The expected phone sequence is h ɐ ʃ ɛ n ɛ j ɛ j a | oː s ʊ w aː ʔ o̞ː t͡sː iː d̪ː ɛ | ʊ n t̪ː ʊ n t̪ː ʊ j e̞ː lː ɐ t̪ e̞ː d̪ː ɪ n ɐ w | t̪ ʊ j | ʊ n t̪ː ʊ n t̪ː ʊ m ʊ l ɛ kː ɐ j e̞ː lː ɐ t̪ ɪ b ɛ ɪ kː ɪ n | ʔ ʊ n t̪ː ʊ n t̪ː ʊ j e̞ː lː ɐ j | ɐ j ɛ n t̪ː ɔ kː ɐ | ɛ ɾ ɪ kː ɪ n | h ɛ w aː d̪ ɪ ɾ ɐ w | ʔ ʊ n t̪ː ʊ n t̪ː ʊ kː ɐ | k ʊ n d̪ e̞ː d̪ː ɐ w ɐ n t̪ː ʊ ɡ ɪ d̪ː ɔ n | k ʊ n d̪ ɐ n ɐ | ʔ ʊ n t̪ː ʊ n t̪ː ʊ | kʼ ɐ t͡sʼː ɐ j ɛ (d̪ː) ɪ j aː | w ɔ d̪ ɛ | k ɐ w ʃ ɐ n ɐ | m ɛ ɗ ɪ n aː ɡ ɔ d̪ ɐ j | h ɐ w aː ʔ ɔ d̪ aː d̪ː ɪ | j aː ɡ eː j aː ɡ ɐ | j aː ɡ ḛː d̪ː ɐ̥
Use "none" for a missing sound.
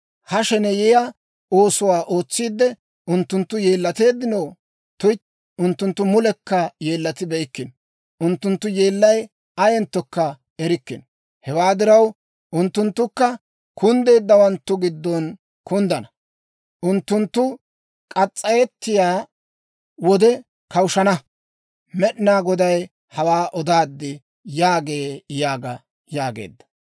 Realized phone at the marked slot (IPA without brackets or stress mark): t̪ː